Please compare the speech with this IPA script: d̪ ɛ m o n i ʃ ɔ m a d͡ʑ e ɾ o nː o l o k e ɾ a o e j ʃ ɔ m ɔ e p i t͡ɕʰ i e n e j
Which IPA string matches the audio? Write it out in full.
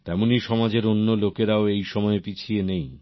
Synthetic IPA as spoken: t̪ ɛ m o n i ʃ ɔ m a d͡ʑ e ɾ o nː o l o k e ɾ a o e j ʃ ɔ m ɔ e p i t͡ɕʰ i e n e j